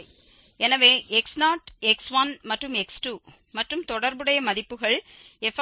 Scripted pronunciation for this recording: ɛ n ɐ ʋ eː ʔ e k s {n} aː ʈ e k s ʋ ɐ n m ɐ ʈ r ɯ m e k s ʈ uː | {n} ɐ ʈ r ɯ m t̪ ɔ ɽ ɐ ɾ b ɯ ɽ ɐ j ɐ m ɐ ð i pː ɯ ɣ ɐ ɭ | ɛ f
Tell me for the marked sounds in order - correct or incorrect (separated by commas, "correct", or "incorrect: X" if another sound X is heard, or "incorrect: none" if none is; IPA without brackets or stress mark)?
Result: correct, incorrect: m